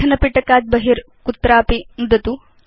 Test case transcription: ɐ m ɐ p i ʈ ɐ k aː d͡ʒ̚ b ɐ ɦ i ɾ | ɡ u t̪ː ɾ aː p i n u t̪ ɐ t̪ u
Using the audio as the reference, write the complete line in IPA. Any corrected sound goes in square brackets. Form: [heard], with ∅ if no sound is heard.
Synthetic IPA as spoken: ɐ [n] ɐ p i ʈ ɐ k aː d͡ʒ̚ b ɐ ɦ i ɾ | [k] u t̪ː ɾ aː p i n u [d̪] ɐ t̪ u